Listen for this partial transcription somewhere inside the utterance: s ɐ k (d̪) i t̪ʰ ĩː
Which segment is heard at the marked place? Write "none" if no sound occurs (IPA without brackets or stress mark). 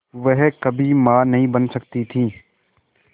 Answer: t̪